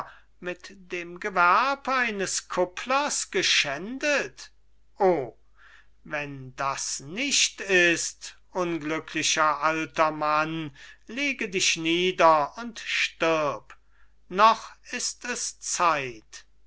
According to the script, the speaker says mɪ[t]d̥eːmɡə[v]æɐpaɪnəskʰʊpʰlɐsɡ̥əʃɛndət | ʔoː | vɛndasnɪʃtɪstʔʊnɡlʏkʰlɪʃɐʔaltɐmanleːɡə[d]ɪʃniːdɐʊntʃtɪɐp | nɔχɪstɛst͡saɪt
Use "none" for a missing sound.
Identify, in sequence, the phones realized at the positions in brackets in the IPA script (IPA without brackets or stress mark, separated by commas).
t, v, d